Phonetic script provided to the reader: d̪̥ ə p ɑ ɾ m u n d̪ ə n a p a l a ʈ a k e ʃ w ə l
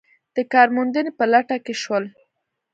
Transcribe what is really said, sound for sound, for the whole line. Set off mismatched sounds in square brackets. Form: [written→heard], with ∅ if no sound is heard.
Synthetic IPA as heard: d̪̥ ə [p→k] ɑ ɾ m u n d̪ ə n [a→e] p [a→ə] l a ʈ a k e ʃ w ə l